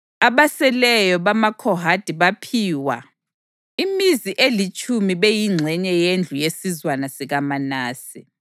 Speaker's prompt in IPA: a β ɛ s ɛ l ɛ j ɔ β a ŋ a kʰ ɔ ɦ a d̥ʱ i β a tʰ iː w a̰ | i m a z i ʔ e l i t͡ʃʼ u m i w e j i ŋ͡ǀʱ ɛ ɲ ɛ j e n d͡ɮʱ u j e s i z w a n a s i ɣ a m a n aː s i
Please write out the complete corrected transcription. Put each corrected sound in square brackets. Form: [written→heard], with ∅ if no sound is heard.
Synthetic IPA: a β [ɛ→a] s ɛ l ɛ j ɔ β a [ŋ→m] a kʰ ɔ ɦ a d̥ʱ i β a [tʰ→pʰ] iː w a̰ | i m [a→i] z i ʔ e l i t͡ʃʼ u m i [w→β] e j i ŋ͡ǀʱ ɛ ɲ ɛ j e n d͡ɮʱ u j e s i z w a n a s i ɣ a m a n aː s i